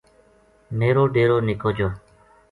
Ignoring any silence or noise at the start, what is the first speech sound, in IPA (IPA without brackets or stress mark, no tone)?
m